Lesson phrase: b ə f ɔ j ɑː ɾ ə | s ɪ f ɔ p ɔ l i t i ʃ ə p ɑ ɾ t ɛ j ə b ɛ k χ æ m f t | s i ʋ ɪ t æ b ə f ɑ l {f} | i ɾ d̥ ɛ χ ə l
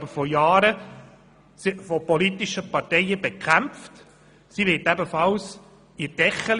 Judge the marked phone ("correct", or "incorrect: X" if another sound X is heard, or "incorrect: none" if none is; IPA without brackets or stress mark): incorrect: s